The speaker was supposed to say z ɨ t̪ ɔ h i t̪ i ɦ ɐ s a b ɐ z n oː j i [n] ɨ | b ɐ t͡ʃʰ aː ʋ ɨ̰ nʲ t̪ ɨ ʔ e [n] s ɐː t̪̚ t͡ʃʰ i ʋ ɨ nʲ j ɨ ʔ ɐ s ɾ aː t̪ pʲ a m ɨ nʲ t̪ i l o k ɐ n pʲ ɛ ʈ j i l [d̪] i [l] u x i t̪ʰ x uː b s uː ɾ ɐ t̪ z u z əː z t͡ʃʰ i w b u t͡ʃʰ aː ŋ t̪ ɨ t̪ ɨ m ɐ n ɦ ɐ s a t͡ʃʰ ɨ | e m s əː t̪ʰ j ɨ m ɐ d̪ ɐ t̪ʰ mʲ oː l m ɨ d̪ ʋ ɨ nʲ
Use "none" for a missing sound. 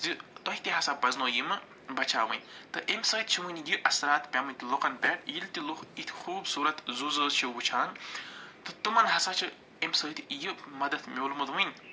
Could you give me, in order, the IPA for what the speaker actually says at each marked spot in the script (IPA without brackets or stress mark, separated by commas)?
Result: m, m, t̪, l